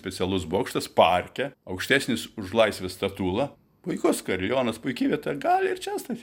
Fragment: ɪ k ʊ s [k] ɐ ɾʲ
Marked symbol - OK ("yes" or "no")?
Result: yes